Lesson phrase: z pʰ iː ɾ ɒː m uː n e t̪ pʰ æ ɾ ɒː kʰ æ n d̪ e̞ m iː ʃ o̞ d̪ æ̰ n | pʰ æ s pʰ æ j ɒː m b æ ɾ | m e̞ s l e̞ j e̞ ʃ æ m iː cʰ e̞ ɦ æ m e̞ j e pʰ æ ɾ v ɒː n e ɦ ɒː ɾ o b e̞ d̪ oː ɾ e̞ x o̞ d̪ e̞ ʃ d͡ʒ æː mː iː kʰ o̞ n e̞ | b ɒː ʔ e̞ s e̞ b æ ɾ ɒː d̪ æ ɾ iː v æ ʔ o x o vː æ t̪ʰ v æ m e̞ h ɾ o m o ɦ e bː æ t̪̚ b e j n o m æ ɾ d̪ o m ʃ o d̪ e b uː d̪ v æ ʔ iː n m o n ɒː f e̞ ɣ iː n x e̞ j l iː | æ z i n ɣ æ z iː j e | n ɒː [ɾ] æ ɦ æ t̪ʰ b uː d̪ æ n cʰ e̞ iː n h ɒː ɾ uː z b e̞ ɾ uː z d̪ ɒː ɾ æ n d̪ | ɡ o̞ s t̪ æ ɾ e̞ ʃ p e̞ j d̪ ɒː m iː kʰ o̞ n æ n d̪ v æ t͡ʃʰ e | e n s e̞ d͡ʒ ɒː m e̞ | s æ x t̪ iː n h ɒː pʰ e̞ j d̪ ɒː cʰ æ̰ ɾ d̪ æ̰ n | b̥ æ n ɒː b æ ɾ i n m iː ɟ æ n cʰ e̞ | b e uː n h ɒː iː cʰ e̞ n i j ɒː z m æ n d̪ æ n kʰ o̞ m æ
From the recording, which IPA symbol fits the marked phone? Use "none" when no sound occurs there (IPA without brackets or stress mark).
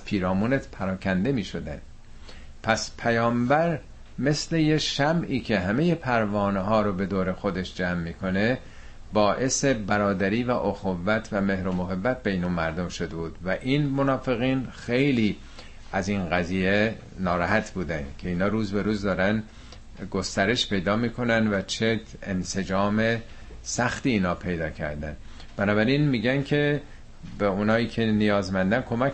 ɾ